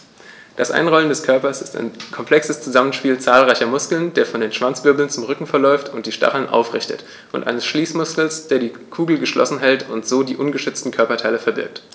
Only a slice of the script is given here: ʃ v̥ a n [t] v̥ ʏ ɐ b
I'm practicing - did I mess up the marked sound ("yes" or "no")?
yes